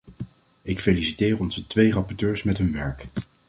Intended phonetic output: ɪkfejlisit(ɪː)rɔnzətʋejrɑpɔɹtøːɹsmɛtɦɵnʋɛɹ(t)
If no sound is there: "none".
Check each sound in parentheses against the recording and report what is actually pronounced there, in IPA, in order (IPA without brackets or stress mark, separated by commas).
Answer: ɪː, k